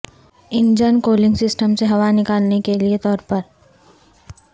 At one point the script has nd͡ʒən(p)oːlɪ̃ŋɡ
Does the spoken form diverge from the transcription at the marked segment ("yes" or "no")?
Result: yes